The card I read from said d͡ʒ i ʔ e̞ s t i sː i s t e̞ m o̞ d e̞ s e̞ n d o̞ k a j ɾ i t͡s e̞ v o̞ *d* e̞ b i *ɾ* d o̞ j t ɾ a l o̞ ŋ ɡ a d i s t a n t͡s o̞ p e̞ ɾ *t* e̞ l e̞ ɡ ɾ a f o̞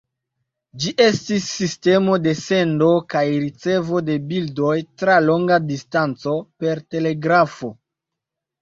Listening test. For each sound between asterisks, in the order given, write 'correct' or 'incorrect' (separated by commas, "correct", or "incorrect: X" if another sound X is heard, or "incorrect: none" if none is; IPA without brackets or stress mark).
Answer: correct, incorrect: l, correct